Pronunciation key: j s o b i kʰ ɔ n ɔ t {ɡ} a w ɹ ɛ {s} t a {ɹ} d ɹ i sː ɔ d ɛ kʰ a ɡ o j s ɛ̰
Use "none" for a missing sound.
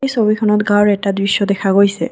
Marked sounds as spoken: ɡ, none, none

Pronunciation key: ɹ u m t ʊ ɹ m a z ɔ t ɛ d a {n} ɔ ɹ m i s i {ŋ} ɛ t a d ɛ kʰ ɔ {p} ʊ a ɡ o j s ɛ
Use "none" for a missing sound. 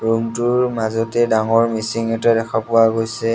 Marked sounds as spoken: ŋ, ŋ, p

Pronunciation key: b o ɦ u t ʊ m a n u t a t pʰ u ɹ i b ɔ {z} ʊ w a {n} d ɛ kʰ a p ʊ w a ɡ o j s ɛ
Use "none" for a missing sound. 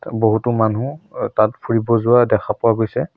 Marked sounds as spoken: z, none

